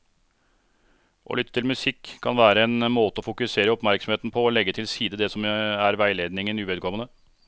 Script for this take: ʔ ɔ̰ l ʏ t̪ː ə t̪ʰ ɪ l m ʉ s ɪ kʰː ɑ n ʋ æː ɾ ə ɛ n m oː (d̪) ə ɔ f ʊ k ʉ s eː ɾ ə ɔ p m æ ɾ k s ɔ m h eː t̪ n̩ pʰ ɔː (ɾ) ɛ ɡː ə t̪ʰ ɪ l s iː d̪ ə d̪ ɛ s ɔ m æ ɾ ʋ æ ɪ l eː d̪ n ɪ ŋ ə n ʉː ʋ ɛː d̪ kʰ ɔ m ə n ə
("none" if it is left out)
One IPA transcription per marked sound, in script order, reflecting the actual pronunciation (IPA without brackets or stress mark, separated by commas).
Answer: t̪, l